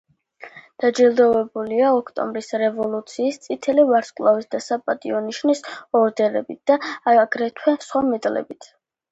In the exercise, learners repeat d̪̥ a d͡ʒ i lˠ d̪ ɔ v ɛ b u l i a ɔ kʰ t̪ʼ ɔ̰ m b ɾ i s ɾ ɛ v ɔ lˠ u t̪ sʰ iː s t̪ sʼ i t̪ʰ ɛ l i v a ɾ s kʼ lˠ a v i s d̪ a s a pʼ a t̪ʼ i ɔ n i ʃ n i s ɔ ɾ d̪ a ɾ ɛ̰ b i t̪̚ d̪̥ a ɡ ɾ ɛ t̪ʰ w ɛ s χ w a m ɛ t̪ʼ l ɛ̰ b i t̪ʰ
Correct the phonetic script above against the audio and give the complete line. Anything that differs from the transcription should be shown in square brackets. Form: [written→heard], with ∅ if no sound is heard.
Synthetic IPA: d̪̥ a d͡ʒ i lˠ d̪ ɔ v ɛ b u l i a ɔ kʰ t̪ʼ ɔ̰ m b ɾ i s ɾ ɛ v ɔ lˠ u t̪ sʰ iː s t̪ sʼ i t̪ʰ ɛ l i v a ɾ s kʼ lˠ a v i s d̪ a s a pʼ a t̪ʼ i ɔ n i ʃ n i s ɔ ɾ d̪ [a→ɛ] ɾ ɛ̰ b i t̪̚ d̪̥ a ɡ ɾ ɛ t̪ʰ w ɛ s χ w a m ɛ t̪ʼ l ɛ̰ b i t̪ʰ

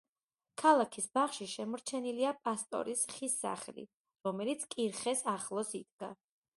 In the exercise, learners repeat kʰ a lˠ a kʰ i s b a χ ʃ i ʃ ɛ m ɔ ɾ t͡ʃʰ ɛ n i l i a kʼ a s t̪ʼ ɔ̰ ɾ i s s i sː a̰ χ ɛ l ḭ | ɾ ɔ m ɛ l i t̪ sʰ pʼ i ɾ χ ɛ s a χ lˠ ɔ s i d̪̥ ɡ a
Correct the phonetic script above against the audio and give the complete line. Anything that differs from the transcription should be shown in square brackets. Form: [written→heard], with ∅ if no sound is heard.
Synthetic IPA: kʰ a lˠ a kʰ i s b a χ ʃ i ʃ ɛ m ɔ ɾ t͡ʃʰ ɛ n i l i a [kʼ→pʼ] a s t̪ʼ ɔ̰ ɾ i s [s→χ] i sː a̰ χ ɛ l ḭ | ɾ ɔ m ɛ l i t̪ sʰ [pʼ→kʼ] i ɾ χ ɛ s a χ lˠ ɔ s i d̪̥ ɡ a

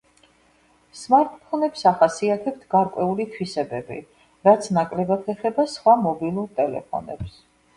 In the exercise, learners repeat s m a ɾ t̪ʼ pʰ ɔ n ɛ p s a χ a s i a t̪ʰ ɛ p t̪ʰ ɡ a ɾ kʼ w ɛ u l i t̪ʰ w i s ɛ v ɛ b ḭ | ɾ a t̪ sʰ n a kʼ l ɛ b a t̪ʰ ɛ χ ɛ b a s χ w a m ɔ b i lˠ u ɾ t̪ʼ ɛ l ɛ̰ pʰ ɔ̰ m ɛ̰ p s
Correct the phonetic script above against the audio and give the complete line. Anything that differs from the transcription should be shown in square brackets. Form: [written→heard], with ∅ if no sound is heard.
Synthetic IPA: s m a ɾ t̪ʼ pʰ ɔ n ɛ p s a χ a s i a t̪ʰ ɛ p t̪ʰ ɡ a ɾ kʼ w ɛ u l i t̪ʰ w i s ɛ [v→b] ɛ b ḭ | ɾ a t̪ sʰ n a kʼ l ɛ b a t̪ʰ ɛ χ ɛ b a s χ w a m ɔ b i lˠ u ɾ t̪ʼ ɛ l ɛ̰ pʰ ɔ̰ [m→n] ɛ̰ p s

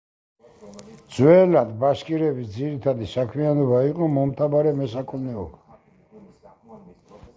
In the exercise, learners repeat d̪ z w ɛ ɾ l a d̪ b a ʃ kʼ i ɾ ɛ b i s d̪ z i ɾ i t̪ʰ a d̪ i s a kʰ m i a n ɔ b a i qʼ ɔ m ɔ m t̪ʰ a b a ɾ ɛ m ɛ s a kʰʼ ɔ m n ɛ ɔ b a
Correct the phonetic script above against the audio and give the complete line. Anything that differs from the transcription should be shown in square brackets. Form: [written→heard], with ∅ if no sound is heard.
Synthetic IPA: d̪ z w ɛ [ɾ→∅] l a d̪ b a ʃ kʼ i ɾ ɛ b i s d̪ z i ɾ i t̪ʰ a d̪ i s a kʰ m i a n ɔ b a i qʼ ɔ m ɔ m t̪ʰ a b a ɾ ɛ m ɛ s a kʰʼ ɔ m n ɛ ɔ b a

